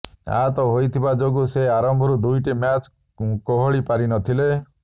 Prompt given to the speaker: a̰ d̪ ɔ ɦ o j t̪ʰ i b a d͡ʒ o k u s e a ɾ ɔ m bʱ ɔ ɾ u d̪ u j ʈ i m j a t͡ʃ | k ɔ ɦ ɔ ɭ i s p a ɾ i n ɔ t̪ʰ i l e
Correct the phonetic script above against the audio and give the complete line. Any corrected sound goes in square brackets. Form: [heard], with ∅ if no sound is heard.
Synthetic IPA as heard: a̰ [t̪] ɔ ɦ o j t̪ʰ i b a d͡ʒ o [ɡ] u s e a ɾ ɔ m bʱ ɔ ɾ u d̪ u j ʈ i m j a t͡ʃ | k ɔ ɦ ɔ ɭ i [∅] p a ɾ i n ɔ t̪ʰ i l e